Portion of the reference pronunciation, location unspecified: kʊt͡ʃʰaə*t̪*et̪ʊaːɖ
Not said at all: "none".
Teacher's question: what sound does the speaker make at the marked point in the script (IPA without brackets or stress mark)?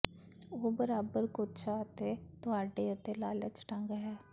t̪